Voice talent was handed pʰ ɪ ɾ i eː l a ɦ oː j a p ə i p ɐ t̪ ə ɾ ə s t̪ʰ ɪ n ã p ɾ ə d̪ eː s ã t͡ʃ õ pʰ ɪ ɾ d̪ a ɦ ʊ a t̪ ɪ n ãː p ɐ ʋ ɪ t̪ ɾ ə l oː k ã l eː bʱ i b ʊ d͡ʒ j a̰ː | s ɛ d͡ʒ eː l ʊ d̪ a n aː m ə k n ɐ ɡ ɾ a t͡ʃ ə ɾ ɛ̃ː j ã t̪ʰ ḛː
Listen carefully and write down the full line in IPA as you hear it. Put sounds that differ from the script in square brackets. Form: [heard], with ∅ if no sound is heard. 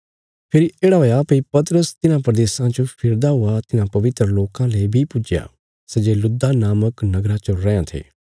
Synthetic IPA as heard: pʰ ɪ ɾ i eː [ɽ] a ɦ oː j a p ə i p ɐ t̪ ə ɾ ə s [t̪] ɪ n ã p ɾ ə d̪ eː s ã t͡ʃ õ pʰ ɪ ɾ d̪ a ɦ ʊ a t̪ ɪ n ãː p ɐ ʋ ɪ t̪ ɾ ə l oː k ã l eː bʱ i [p] ʊ d͡ʒ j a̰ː | s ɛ d͡ʒ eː l ʊ d̪ a n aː m ə k n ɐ ɡ ɾ a t͡ʃ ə ɾ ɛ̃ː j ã t̪ʰ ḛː